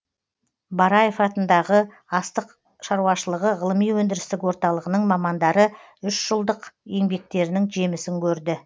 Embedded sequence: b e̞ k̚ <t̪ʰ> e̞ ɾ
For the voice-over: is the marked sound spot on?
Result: no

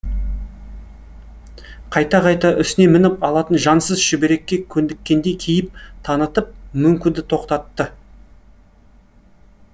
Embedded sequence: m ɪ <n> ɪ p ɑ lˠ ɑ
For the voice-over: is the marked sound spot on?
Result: yes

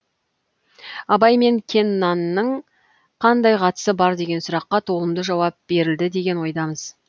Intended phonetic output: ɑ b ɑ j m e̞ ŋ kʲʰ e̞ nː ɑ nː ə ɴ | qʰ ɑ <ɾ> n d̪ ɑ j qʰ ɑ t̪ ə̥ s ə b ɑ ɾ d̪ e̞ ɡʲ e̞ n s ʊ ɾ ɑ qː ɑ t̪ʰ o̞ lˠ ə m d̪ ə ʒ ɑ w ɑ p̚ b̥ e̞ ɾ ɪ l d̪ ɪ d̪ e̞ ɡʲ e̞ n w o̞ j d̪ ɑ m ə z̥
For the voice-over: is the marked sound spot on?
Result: no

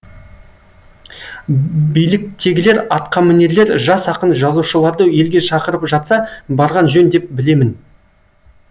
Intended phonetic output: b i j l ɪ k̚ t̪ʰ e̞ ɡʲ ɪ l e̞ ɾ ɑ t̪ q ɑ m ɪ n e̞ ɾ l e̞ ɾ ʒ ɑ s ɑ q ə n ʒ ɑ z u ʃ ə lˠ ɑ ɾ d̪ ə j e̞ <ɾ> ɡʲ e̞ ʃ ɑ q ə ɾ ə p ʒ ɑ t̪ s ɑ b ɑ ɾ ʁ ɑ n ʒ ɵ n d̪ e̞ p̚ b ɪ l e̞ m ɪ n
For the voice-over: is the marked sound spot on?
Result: no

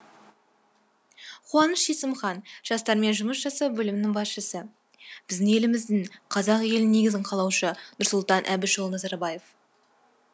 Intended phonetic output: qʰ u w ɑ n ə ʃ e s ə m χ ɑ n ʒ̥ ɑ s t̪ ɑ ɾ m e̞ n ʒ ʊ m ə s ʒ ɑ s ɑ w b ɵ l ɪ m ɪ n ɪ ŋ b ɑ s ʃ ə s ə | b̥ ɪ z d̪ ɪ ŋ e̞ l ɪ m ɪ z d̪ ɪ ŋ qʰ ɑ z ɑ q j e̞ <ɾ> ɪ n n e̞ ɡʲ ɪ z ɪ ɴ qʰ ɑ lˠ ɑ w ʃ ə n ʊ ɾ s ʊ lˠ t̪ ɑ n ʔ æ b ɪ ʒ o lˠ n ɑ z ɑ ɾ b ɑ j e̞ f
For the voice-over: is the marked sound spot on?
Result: no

